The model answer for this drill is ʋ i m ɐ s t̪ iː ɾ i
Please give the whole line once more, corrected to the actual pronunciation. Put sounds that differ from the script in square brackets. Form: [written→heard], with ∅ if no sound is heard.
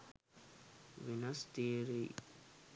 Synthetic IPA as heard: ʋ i [m→n] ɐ s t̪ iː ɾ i

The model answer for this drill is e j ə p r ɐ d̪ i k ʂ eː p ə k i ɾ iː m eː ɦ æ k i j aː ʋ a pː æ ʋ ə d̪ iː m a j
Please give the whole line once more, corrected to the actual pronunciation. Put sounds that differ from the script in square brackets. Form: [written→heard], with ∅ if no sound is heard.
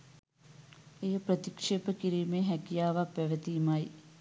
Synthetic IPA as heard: e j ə p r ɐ [d̪→t̪] i k ʂ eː p ə k i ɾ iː m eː ɦ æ k i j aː ʋ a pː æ ʋ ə [d̪→t̪] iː m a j

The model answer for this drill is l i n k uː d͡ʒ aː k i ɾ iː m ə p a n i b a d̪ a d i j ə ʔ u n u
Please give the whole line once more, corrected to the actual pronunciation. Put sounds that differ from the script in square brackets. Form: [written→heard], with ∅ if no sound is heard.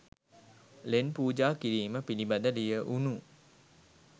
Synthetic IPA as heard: l [i→e] n [k→p] uː d͡ʒ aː k i ɾ iː m ə p [a→i] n i b a d̪ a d i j ə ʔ u n u

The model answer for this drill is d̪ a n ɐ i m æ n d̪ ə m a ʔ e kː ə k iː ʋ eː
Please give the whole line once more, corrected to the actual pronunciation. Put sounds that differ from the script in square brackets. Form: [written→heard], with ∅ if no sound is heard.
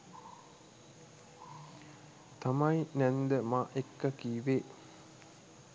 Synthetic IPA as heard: [d̪→t̪] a [n→m] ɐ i [m→n] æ n d̪ ə m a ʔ e kː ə k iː ʋ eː

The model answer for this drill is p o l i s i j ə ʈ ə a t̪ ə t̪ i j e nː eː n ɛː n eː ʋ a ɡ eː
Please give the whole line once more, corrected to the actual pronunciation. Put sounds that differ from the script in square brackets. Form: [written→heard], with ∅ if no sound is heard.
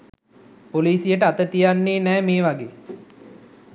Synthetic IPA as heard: p o l [i→iː] s i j ə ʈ ə a t̪ ə t̪ i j [e→a] nː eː n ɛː [n→m] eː ʋ a ɡ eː

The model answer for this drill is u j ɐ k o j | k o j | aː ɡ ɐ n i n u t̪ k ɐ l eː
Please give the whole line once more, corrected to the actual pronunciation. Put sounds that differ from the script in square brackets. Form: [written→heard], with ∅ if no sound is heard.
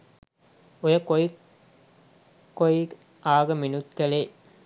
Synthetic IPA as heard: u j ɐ k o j | k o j | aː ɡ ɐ [n→m] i n u t̪ k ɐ l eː

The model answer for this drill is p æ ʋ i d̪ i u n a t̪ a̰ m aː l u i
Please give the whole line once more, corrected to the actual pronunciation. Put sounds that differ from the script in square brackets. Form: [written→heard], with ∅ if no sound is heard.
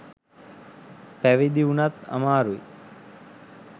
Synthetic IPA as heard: p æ ʋ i d̪ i u n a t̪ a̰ m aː [l→ɾ] u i

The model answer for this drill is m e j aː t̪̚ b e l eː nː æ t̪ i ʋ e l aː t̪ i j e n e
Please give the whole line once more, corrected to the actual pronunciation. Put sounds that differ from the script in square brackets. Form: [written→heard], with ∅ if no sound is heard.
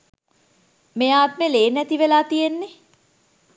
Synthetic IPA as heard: m e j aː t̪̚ [b→m] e l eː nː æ t̪ i ʋ e l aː t̪ i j e [n→nː] e

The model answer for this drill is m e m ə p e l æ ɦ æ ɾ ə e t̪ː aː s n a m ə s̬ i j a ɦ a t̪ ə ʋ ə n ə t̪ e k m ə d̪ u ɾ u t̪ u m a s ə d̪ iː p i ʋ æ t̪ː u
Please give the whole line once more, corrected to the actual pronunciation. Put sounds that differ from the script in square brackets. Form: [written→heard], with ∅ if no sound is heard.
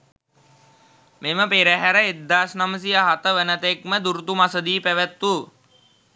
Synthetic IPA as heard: m e m ə p e [l→ɾ] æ ɦ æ ɾ ə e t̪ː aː s n a m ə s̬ i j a ɦ a t̪ ə ʋ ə n ə t̪ e k m ə d̪ u ɾ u t̪ u m a s ə d̪ iː p [i→æ] ʋ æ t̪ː u

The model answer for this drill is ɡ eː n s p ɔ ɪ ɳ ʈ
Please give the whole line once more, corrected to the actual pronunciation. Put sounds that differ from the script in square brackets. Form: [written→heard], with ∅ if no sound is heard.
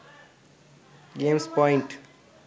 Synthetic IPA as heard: ɡ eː [n→m] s p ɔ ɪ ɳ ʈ

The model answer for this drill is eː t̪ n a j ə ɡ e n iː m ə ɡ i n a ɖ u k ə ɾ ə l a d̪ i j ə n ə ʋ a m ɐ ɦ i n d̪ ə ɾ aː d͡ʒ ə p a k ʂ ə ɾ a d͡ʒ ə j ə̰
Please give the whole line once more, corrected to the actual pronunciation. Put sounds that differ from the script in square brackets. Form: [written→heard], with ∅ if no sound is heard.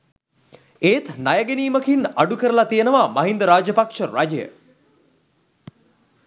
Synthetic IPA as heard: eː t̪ n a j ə ɡ e n iː m ə [ɡ→k] i n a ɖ u k ə ɾ ə l a [d̪→t̪] i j ə n ə ʋ a m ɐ ɦ i n d̪ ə ɾ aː d͡ʒ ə p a k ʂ ə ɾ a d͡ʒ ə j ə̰

